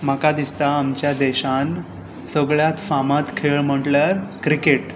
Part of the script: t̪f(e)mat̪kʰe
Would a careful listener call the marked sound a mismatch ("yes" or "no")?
yes